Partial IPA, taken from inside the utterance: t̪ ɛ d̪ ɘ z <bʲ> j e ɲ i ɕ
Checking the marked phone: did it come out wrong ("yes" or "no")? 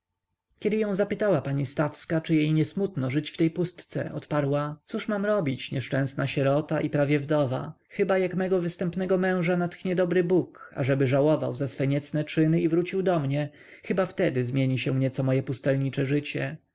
yes